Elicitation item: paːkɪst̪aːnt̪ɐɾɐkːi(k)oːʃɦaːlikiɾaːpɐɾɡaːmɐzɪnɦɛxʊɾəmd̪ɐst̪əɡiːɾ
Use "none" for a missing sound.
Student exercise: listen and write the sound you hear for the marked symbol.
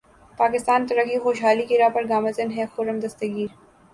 x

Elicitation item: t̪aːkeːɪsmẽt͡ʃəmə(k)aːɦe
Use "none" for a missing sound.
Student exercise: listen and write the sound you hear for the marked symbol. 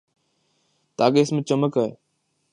k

